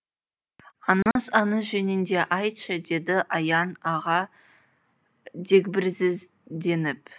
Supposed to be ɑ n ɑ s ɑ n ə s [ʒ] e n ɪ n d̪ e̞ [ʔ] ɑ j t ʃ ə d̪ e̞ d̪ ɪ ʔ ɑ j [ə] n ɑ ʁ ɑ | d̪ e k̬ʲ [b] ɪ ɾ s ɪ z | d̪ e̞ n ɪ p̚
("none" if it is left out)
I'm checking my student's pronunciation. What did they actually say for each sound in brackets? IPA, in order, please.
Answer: ʒ, ʔ, ɑ, b

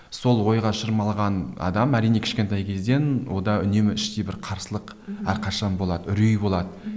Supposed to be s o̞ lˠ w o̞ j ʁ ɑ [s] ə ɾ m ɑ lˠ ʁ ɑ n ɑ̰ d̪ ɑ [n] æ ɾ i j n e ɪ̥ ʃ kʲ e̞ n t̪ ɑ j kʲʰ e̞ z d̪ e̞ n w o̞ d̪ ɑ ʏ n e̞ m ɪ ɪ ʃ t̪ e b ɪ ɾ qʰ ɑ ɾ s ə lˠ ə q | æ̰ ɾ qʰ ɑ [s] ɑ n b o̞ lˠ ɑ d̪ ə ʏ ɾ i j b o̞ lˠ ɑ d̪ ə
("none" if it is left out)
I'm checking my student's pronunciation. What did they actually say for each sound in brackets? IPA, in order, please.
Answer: ʃ, m, ʃ

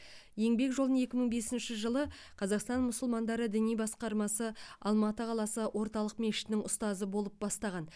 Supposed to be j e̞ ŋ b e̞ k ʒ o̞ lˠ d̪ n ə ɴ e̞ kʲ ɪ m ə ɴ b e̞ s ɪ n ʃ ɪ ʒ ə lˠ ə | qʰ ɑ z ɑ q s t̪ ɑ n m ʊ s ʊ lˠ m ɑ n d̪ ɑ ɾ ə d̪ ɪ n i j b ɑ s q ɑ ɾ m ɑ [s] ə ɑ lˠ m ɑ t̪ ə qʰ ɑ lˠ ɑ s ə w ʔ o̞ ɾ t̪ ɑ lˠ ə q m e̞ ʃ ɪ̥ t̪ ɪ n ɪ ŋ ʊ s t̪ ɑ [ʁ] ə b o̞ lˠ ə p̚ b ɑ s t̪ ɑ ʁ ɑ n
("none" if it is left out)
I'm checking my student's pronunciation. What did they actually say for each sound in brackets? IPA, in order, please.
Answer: s, z

